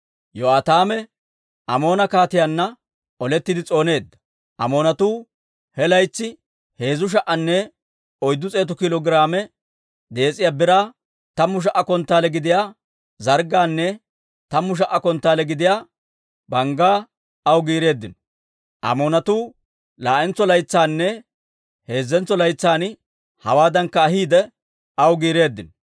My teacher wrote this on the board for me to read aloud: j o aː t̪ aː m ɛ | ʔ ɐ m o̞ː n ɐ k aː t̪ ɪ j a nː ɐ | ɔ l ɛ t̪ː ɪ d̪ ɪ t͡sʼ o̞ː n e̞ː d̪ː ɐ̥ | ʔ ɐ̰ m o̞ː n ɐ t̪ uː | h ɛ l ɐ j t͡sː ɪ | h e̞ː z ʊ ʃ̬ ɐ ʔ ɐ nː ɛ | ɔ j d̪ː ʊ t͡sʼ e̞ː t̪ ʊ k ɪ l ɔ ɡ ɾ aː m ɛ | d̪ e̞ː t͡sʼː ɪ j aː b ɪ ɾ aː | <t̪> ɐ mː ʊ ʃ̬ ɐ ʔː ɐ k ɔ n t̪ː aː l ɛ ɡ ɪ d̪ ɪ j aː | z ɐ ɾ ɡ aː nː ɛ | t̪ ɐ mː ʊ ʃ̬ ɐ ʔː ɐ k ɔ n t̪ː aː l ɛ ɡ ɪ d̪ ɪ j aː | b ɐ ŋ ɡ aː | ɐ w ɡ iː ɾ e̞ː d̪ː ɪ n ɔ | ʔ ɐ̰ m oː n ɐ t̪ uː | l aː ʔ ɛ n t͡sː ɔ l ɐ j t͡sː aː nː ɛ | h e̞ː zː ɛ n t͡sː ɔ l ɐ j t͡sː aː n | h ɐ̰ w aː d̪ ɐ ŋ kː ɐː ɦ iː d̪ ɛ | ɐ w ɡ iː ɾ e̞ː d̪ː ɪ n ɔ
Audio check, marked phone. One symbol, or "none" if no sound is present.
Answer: t̪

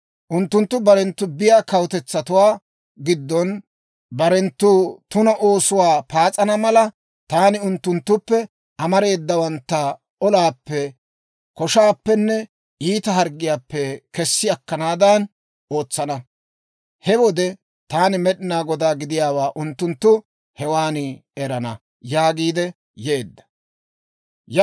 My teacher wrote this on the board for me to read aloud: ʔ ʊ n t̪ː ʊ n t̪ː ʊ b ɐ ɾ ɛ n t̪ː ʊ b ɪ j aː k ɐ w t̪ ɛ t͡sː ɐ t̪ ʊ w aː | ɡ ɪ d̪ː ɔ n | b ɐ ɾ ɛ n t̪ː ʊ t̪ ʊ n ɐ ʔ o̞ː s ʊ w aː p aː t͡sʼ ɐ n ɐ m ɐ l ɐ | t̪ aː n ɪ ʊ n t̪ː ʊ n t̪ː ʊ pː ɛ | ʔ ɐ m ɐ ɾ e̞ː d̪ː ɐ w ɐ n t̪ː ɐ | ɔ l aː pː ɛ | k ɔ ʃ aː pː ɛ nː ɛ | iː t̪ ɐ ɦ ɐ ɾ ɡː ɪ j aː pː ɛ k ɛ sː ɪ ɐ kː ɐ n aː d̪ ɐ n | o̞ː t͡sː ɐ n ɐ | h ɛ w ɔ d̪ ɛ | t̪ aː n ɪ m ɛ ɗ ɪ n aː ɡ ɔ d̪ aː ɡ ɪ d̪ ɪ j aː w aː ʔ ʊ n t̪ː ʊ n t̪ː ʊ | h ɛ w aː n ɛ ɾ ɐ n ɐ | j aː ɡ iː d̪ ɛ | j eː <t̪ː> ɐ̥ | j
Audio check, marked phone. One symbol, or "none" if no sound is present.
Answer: d̪ː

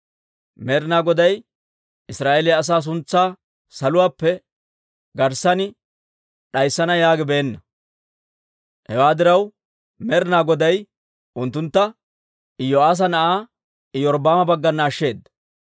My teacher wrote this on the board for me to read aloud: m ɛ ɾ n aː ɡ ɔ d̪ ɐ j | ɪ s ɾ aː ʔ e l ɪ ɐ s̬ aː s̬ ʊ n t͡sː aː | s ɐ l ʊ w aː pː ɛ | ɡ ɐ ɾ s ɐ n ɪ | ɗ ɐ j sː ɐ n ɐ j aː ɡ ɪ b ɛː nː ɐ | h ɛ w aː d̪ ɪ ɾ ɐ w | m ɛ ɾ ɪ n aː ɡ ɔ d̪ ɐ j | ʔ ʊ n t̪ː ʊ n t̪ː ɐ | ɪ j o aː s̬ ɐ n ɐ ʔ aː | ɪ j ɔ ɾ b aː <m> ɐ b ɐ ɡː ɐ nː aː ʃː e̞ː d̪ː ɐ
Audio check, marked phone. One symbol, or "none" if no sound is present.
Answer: m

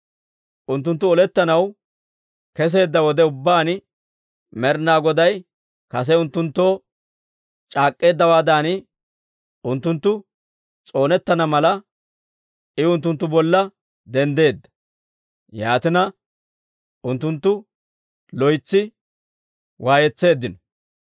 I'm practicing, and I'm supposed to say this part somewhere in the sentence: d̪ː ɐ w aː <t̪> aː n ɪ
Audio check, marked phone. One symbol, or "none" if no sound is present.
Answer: d̪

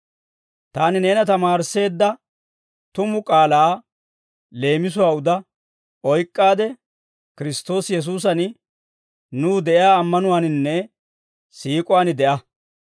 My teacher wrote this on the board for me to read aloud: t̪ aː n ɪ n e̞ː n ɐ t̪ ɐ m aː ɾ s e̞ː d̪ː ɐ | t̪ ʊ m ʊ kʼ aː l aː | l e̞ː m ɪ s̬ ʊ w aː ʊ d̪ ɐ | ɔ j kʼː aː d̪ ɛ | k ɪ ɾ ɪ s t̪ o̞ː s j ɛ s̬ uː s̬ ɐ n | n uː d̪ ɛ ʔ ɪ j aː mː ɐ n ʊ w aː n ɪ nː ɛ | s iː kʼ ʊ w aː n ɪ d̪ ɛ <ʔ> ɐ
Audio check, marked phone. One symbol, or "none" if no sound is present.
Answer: ʔ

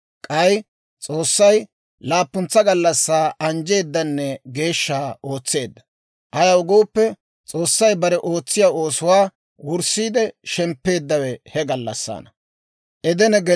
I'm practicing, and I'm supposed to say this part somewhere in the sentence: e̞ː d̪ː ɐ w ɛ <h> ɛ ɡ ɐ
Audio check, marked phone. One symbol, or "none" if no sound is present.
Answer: h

